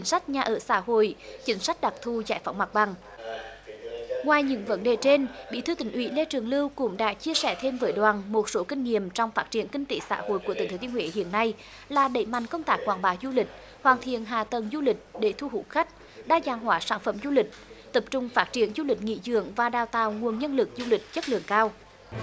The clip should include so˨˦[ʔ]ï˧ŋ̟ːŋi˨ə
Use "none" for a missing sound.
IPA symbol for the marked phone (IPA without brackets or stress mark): k